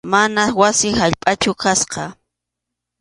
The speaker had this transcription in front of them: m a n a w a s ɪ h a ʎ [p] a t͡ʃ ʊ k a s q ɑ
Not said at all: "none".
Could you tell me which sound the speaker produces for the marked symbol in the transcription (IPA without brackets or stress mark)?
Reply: pʼ